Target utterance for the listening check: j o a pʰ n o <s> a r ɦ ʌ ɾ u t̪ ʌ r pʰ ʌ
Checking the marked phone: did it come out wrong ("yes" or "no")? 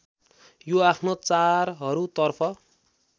yes